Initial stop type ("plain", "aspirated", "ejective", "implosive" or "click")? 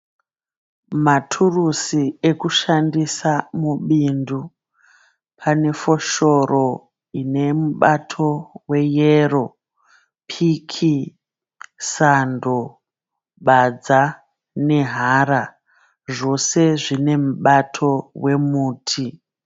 aspirated